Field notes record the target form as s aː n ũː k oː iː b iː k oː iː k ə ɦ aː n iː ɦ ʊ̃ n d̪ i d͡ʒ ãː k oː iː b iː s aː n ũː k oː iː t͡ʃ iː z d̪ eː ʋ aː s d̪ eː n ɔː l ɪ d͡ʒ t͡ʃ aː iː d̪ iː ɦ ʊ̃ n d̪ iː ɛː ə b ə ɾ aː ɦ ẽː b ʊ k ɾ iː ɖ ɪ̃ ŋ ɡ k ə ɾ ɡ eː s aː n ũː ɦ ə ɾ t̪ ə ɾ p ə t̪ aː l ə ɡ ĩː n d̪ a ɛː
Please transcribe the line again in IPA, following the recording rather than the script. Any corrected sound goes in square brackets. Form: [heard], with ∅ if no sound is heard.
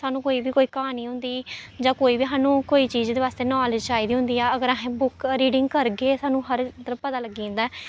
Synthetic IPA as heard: s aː n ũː k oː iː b iː k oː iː k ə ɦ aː n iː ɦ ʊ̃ n d̪ [iː] d͡ʒ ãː k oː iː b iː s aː n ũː k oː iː t͡ʃ iː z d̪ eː ʋ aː s [t̪] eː n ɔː l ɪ d͡ʒ t͡ʃ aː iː d̪ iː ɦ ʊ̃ n d̪ iː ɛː ə [ɡ] ə ɾ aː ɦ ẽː b ʊ k ɾ iː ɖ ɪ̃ ŋ ɡ k ə ɾ ɡ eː s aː n ũː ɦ ə ɾ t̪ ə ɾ p ə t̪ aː l ə ɡ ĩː n d̪ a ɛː